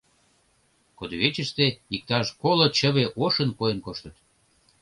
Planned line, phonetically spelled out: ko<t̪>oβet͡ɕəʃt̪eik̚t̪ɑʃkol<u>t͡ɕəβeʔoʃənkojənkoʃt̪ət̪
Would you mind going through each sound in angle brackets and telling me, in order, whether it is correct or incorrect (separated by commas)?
incorrect, incorrect